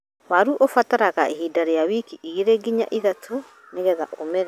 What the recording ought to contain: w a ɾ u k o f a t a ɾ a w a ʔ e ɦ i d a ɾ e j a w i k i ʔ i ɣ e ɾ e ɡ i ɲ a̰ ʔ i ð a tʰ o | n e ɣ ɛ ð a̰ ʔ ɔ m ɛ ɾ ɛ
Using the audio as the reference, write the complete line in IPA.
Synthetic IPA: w a ɾ u ʔ o f a t a ɾ a ɣ a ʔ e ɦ i d a ɾ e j a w i k i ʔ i ɣ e ɾ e ɡ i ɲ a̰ ʔ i ð a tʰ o | n e ɣ ɛ ð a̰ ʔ o m ɛ ɾ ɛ